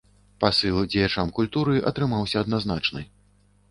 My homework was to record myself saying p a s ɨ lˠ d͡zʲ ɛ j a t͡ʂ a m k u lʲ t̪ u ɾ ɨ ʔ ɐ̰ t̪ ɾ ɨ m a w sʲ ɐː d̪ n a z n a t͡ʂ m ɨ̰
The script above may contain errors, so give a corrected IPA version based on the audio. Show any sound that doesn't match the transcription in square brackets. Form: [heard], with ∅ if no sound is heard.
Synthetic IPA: p a s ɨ lˠ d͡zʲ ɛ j a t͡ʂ a m k u lʲ t̪ u ɾ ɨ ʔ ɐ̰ t̪ ɾ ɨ m a w sʲ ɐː d̪ n a z n a t͡ʂ [n] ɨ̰